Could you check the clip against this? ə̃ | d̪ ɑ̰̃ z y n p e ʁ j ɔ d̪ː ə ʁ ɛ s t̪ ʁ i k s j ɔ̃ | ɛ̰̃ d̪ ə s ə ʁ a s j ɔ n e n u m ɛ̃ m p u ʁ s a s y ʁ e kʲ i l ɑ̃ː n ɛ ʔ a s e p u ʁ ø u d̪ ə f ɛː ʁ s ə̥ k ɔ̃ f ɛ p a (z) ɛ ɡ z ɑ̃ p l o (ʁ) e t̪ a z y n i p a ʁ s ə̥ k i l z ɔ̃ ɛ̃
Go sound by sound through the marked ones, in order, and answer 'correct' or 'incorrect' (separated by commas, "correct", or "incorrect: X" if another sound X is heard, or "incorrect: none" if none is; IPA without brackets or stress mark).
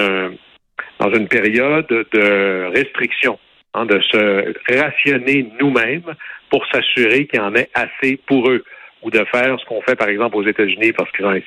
incorrect: ʁ, incorrect: z